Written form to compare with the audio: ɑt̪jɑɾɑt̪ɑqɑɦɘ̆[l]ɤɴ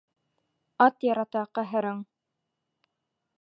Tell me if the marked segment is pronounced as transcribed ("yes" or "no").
no